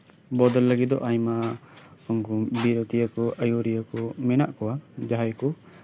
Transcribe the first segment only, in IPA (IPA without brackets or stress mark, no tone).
b